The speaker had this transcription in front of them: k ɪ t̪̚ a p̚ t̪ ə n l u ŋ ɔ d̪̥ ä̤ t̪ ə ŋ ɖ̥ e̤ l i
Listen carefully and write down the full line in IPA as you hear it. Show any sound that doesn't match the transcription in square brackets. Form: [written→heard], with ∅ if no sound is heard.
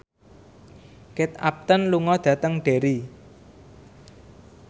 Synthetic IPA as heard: k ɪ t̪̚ a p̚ t̪ ə n l u ŋ ɔ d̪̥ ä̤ t̪ ə ŋ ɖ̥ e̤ [l→ɾ] i